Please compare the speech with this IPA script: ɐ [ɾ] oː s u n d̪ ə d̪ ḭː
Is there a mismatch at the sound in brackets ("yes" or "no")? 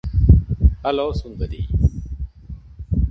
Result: yes